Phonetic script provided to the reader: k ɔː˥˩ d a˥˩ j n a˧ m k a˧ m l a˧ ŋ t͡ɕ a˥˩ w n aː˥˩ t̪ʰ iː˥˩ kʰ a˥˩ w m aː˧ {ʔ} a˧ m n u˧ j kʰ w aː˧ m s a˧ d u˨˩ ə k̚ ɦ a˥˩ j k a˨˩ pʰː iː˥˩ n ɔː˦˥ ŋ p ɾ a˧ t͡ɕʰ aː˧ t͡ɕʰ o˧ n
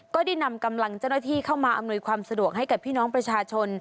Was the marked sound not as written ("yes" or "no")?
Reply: no